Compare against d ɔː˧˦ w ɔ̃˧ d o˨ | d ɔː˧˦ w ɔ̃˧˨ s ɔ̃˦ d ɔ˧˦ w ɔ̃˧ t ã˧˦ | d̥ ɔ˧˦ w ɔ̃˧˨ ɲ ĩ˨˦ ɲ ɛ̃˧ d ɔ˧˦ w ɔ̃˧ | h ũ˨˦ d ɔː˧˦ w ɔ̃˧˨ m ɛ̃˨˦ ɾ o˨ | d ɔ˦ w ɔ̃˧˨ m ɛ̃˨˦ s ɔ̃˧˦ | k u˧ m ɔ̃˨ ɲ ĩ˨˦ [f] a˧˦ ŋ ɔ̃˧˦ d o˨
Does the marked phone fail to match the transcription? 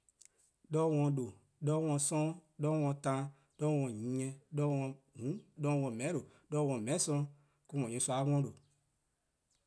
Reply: yes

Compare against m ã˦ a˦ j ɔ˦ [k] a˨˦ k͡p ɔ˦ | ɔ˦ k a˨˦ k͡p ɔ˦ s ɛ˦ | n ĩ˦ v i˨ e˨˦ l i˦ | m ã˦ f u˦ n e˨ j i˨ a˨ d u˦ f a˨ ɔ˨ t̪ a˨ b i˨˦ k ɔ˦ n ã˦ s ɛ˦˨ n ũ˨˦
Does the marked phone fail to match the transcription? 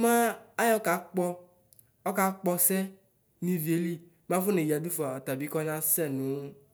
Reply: no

